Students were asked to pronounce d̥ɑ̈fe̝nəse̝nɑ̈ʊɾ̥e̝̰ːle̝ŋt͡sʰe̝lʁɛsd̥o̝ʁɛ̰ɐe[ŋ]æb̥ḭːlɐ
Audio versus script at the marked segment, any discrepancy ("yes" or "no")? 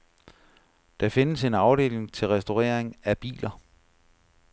no